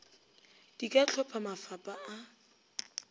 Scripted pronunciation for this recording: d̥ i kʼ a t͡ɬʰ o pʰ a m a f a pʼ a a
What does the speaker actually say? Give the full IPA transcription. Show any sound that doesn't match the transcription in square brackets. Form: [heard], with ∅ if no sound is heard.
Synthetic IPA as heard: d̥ i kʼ a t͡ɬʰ [ɔ] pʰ a m a f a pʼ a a